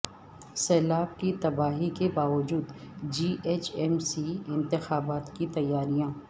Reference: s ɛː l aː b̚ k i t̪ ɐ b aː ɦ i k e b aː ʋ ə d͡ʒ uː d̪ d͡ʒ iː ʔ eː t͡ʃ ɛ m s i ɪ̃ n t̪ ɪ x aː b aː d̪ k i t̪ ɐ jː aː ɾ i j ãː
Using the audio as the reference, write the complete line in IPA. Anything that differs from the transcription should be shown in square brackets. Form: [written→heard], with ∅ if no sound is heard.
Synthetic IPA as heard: s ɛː l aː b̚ k i t̪ ɐ b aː ɦ i k e b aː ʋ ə d͡ʒ uː d̪ d͡ʒ iː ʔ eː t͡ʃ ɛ m s i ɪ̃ n t̪ ɪ x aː b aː [d̪→t̪] k i t̪ ɐ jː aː ɾ i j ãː